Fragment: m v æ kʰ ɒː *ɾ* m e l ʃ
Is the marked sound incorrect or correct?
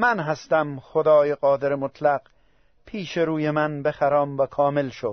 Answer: incorrect